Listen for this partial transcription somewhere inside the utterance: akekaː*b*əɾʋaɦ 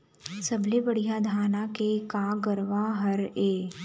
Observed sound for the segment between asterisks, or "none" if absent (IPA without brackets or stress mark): ɡ